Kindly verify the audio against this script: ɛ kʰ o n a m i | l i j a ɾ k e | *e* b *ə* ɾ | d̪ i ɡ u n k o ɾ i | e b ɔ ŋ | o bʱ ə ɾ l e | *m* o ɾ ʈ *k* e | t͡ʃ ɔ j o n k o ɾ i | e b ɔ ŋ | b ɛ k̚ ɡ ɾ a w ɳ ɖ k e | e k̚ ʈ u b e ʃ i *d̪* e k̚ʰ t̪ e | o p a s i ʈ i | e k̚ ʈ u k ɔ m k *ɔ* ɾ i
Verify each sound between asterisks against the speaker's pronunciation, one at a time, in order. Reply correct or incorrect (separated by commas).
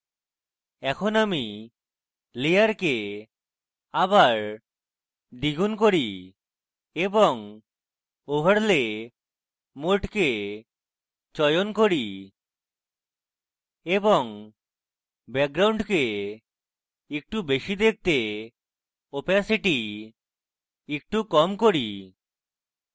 incorrect, incorrect, correct, correct, correct, incorrect